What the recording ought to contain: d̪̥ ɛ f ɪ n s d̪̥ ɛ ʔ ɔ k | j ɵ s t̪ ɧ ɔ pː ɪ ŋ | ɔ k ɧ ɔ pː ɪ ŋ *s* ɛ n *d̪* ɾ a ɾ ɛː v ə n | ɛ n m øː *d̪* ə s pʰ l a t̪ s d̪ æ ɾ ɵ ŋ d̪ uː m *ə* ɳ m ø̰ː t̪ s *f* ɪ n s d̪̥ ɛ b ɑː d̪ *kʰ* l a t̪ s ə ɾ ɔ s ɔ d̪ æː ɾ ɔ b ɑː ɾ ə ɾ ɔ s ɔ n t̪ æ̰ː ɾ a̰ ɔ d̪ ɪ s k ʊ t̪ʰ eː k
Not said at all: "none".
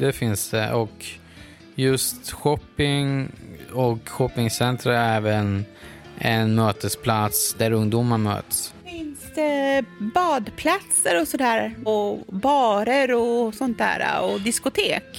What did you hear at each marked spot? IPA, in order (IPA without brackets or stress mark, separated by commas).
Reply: s, t̪, t̪, a, f, pʰ